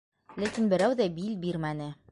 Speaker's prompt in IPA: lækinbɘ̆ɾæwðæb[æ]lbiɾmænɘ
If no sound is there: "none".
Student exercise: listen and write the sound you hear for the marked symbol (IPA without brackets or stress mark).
i